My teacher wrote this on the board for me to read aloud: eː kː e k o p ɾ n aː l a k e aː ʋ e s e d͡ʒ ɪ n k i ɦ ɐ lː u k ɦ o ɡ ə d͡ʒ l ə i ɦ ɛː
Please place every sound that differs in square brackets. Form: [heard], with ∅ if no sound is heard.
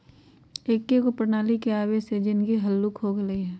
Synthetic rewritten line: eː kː e k o p ɾ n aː l [i] k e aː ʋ e s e d͡ʒ ɪ n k i ɦ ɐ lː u k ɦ o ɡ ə [∅] l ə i ɦ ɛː